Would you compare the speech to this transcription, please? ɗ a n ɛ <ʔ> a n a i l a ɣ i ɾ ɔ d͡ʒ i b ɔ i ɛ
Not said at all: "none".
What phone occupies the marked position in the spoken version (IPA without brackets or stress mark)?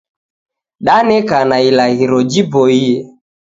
k